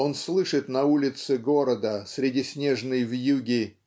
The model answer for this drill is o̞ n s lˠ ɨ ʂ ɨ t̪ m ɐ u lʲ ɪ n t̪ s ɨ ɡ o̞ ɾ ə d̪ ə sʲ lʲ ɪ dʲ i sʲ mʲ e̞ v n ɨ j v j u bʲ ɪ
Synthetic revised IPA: o̞ n s lˠ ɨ ʂ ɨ t̪ n ɐ u lʲ ɪ t̪ s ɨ ɡ o̞ ɾ ə d̪ ə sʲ ɾʲ ɪ dʲ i sʲ nʲ e̞ ʐ n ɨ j v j u ɡʲ ɪ